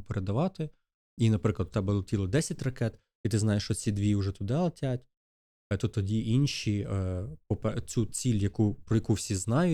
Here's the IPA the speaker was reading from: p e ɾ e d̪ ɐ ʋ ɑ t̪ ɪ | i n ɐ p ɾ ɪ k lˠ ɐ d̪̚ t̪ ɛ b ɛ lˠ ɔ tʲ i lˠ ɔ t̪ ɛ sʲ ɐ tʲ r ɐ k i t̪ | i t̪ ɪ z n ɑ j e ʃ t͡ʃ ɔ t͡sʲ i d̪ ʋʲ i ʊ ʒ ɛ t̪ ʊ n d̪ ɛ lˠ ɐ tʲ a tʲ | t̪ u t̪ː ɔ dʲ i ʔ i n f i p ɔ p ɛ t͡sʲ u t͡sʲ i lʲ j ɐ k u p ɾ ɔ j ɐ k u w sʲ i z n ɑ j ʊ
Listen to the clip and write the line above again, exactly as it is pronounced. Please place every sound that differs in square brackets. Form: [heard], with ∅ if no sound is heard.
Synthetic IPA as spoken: p e ɾ e d̪ ɐ ʋ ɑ t̪ ɪ | i n ɐ p ɾ ɪ k lˠ ɐ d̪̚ t̪ ɛ b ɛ lˠ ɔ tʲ i lˠ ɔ [d̪] ɛ sʲ ɐ tʲ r ɐ k [ɛ] t̪ | i t̪ ɪ z n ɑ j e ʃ t͡ʃ ɔ t͡sʲ i d̪ ʋʲ i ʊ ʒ ɛ t̪ ʊ [∅] d̪ ɛ lˠ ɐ tʲ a tʲ | t̪ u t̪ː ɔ dʲ i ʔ i n [ʃ] i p ɔ p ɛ t͡sʲ u t͡sʲ i lʲ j ɐ k u p ɾ ɔ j ɐ k u w sʲ i z n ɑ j ʊ